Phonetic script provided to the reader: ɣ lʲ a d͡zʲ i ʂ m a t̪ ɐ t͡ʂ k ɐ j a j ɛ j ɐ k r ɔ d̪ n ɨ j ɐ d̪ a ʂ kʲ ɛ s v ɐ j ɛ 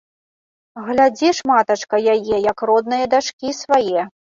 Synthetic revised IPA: ɣ lʲ a d͡zʲ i ʂ m a t̪ ɐ t͡ʂ k ɐ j a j ɛ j ɐ k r ɔ d̪ n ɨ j ɐ d̪ a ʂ kʲ i s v a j ɛ